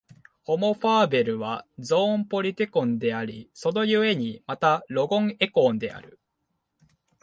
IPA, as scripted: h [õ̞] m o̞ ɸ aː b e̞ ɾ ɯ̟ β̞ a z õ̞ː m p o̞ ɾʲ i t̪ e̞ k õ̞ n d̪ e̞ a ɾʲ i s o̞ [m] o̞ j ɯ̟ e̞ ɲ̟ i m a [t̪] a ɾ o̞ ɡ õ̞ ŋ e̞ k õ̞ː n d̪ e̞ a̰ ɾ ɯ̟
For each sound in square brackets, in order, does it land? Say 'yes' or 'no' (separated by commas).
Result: no, no, yes